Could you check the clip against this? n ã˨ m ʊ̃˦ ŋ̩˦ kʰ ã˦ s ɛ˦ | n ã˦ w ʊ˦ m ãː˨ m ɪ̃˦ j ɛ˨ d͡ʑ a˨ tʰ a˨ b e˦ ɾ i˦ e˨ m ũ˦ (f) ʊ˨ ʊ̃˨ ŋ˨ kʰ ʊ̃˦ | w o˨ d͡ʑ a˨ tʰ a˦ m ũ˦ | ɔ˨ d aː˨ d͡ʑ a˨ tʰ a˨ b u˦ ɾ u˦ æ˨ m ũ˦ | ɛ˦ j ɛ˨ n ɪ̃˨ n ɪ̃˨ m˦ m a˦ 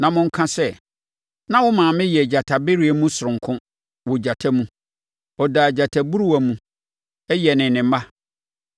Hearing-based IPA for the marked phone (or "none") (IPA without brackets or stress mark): s